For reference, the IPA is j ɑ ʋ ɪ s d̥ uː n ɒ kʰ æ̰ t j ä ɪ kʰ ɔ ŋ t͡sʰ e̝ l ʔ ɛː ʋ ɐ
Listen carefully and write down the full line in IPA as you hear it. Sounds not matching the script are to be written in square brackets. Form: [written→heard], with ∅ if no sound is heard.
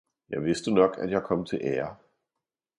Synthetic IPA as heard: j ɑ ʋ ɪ s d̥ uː n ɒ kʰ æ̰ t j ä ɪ kʰ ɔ [ŋ→m] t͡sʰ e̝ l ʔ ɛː [ʋ→∅] ɐ